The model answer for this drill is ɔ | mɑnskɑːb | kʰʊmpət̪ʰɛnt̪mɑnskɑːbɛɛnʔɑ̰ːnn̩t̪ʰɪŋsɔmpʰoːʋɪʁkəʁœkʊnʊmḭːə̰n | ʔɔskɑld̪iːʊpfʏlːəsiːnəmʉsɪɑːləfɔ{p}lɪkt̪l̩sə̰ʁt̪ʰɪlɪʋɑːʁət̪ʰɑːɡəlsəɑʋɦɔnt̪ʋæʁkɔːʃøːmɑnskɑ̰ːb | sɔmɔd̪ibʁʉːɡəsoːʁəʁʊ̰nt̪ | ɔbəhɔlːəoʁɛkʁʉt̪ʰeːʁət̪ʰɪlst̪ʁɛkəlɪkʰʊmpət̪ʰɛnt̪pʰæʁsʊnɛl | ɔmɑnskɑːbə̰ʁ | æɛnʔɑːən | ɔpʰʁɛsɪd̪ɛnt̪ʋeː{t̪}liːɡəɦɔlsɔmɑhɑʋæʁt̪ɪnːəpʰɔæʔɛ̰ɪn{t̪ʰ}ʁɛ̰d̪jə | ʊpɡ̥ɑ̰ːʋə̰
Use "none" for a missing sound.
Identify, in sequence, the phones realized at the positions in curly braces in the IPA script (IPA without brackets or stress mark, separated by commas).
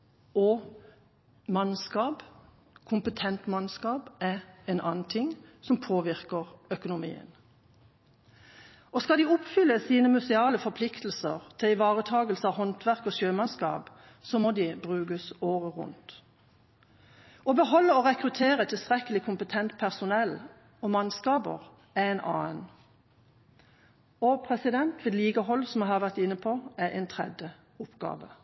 pʰ, d̪, t̪ʰ